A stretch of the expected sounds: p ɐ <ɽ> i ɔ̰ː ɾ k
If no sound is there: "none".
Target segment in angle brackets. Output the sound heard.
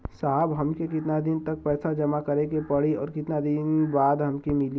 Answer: ɽ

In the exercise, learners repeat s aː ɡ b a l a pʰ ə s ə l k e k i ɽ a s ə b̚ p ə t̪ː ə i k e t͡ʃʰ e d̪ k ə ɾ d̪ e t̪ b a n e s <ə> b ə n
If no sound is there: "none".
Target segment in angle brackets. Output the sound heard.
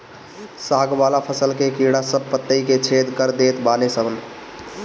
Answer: ə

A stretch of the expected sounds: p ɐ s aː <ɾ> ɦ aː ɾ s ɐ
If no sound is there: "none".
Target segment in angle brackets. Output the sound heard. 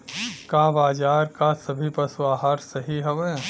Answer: none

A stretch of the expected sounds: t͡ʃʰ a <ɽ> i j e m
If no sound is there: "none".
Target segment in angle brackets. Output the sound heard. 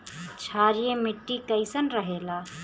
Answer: ɾ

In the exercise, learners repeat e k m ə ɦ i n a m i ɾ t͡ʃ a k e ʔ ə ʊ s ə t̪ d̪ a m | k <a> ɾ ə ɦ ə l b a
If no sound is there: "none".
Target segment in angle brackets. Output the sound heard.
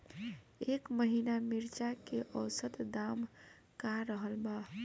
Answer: a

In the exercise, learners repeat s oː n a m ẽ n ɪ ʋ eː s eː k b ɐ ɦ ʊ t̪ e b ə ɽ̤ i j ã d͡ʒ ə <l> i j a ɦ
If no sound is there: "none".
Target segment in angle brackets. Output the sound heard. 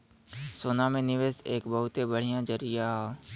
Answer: ɾ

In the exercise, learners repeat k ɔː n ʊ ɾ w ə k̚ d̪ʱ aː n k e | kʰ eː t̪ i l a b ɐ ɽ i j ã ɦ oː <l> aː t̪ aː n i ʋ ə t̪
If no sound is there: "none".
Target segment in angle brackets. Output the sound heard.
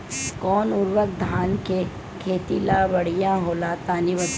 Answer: l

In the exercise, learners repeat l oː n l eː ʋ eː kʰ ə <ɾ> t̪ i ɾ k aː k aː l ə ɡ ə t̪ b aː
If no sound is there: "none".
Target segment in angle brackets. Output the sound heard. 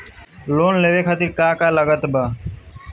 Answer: none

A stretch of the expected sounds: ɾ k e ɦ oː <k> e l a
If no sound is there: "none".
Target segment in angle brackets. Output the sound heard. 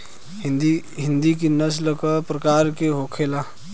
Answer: kʰ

